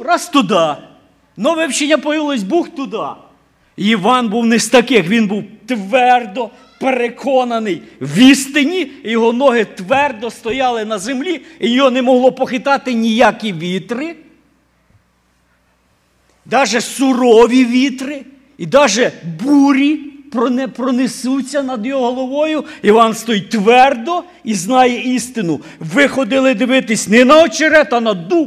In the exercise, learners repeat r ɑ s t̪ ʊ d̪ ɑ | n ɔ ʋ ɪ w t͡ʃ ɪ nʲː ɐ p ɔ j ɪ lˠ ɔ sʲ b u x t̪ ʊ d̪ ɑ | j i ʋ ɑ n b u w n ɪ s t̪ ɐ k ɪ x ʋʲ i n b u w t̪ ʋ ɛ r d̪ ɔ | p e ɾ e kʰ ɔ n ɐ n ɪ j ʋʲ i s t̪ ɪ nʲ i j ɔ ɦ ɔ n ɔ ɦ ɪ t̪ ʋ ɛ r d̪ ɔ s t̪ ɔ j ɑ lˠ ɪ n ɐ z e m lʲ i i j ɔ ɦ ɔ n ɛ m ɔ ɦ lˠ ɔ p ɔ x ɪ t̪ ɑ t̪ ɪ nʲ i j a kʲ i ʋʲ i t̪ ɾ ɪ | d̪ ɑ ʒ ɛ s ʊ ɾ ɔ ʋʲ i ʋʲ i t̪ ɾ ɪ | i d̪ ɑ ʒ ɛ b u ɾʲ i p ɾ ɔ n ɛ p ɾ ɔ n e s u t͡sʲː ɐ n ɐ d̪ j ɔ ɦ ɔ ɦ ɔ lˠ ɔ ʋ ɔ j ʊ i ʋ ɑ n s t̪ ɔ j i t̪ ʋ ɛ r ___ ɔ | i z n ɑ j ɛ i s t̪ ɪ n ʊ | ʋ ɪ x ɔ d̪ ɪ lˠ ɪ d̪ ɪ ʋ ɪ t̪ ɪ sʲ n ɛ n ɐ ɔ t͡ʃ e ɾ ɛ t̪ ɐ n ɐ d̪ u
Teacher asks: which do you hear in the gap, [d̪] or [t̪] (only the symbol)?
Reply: d̪